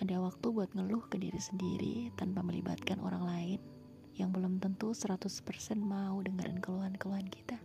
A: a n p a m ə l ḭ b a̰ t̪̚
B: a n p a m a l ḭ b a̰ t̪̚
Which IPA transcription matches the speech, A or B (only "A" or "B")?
A